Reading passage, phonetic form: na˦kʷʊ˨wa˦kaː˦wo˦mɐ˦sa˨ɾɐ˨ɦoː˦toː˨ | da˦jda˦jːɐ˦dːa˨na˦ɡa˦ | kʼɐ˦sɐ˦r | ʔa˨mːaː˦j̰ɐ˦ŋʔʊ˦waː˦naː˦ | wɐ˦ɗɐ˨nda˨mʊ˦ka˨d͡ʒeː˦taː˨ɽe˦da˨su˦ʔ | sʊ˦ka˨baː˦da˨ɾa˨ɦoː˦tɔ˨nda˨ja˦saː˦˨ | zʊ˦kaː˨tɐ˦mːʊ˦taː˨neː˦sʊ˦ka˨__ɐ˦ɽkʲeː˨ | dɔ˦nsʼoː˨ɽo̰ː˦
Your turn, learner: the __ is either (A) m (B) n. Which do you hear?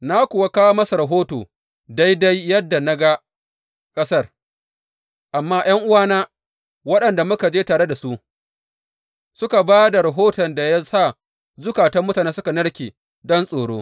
B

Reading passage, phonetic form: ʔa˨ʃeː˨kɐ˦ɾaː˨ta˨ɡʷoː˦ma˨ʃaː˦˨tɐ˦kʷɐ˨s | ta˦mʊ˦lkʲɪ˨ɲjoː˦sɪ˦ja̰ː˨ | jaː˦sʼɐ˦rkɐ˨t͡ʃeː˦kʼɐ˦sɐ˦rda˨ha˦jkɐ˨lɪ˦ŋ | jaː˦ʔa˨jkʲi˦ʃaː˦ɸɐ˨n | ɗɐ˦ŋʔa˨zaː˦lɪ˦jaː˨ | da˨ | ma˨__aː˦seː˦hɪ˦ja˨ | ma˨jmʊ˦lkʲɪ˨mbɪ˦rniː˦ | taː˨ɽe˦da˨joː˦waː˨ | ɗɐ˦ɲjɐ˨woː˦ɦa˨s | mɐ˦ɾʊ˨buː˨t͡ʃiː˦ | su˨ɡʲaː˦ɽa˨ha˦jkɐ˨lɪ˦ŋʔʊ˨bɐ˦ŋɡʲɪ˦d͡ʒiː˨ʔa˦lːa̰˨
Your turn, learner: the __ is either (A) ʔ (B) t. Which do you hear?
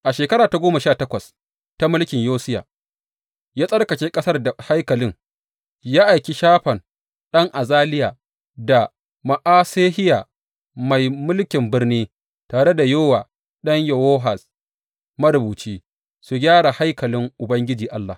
A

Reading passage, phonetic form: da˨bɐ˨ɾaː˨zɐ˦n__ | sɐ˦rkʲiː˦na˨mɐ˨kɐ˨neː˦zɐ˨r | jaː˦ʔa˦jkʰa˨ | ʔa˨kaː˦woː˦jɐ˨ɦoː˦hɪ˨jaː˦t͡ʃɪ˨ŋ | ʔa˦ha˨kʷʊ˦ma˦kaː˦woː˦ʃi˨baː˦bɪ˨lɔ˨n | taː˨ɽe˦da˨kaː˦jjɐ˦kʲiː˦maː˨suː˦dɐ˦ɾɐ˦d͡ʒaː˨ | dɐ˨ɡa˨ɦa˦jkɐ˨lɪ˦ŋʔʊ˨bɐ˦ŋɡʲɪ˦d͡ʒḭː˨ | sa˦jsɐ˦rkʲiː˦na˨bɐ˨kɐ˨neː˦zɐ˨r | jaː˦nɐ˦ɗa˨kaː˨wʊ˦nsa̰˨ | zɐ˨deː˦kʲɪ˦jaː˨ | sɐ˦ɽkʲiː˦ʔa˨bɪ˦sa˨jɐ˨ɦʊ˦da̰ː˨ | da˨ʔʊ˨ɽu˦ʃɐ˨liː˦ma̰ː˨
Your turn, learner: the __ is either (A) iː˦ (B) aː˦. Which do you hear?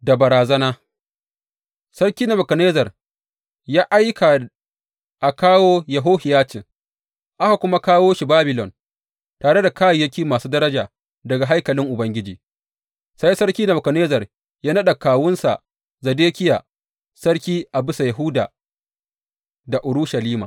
B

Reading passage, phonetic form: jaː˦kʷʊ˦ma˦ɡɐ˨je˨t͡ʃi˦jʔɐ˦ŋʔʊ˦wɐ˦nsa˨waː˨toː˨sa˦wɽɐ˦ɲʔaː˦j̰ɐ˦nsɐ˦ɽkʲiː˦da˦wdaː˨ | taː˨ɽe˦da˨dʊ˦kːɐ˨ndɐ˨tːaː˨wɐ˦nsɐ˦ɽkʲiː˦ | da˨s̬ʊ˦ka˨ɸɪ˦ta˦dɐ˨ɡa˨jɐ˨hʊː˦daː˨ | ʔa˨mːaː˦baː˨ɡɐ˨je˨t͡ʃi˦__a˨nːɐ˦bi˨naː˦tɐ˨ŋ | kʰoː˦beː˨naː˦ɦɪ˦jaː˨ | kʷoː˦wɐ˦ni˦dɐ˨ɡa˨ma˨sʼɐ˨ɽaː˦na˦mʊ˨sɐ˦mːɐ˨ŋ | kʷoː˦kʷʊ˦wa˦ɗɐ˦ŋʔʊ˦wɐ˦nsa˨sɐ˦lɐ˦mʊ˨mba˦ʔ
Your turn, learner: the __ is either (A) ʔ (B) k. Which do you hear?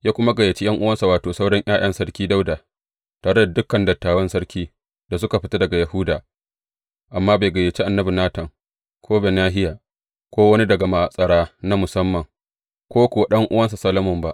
A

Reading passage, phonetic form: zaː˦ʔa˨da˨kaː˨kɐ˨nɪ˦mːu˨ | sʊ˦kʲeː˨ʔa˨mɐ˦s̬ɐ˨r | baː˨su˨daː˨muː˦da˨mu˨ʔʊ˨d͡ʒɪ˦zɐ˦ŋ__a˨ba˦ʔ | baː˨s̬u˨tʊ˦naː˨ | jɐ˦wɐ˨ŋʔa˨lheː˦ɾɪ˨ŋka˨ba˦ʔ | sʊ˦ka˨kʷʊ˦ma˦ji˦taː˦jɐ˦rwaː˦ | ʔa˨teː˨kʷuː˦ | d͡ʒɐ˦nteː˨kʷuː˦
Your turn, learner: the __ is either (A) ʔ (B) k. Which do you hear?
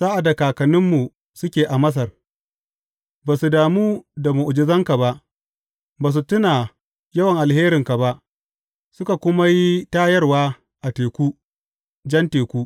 B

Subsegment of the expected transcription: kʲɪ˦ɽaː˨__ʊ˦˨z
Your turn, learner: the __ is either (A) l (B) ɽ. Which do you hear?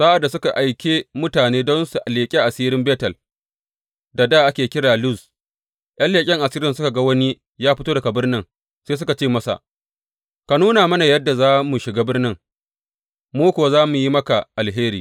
A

